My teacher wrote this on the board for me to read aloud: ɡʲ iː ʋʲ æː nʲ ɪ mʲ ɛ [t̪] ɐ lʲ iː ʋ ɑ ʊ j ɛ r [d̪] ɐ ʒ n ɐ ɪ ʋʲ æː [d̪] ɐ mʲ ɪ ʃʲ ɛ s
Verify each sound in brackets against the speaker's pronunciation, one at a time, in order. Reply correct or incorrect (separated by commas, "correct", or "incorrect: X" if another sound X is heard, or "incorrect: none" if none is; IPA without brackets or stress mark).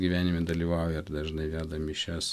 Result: incorrect: d̪, correct, correct